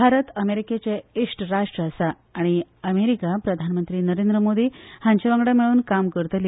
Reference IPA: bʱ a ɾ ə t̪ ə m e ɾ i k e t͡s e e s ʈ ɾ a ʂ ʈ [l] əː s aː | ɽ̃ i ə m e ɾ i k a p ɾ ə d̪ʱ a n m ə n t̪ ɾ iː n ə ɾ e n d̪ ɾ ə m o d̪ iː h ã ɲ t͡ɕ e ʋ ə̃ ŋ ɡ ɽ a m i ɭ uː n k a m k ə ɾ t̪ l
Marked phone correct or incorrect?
incorrect